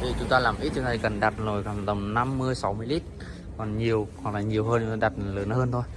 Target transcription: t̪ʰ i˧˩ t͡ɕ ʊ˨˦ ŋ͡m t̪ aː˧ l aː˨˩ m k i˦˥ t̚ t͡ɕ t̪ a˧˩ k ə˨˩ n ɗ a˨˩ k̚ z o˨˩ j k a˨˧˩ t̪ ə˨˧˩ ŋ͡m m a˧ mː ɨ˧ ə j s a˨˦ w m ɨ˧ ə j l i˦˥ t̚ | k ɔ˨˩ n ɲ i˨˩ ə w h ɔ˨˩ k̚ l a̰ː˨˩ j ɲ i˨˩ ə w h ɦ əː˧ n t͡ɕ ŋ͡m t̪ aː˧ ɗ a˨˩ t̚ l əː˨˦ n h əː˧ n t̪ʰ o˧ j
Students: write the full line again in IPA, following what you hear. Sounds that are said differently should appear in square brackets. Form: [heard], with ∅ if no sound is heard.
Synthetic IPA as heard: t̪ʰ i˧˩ t͡ɕ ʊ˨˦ ŋ͡m t̪ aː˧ l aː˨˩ m [ʔ] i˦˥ t̚ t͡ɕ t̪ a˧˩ k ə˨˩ n ɗ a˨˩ [t̚] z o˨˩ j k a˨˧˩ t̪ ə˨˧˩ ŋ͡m [n] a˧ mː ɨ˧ ə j s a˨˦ w m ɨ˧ ə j l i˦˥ t̚ | k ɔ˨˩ n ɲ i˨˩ ə w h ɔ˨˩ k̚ l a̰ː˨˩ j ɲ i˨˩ ə w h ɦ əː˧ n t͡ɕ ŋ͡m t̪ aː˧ ɗ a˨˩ t̚ l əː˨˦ n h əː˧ n t̪ʰ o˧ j